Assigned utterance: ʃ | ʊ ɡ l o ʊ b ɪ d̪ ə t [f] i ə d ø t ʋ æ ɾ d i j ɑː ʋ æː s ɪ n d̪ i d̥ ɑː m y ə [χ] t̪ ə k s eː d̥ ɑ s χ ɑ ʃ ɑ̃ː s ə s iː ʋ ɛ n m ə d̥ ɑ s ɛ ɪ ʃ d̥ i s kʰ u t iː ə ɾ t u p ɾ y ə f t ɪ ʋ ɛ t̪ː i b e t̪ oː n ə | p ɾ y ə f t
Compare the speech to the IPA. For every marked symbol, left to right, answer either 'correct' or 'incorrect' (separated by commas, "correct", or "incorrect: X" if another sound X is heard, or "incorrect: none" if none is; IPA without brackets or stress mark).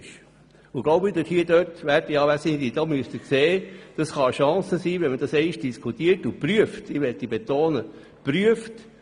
incorrect: h, incorrect: s